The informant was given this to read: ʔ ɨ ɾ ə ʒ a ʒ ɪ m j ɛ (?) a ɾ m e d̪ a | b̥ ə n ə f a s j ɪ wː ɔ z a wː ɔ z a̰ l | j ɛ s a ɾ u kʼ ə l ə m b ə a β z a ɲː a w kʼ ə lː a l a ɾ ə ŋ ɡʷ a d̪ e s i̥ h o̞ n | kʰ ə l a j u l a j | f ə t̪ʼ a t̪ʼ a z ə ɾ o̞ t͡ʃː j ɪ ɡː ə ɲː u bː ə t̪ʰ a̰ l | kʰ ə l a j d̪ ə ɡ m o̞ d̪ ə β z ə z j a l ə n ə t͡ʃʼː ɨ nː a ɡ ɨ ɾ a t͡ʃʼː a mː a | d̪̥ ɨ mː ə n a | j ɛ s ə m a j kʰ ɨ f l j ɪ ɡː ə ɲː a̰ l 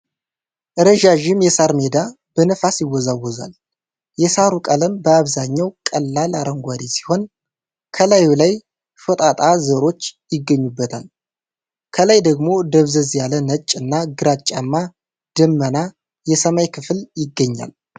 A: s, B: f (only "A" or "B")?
A